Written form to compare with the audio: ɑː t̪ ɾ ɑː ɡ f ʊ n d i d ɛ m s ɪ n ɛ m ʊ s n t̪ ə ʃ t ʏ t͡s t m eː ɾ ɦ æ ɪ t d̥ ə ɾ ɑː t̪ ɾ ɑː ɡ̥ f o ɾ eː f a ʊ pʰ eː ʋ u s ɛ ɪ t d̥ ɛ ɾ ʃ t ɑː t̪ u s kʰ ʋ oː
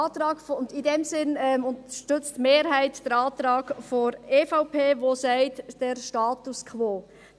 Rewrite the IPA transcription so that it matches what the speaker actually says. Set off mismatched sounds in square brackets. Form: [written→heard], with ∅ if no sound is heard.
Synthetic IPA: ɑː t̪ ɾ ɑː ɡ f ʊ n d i d ɛ m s ɪ n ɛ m ʊ [s→∅] n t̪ ə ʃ t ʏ t͡s t m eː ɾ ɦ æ ɪ t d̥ ə ɾ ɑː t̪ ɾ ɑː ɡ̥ f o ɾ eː f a ʊ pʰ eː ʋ [u→o] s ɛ ɪ t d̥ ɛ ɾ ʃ t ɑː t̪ u s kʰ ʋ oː